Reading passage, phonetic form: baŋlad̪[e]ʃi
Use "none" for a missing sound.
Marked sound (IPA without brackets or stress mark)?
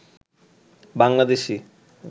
e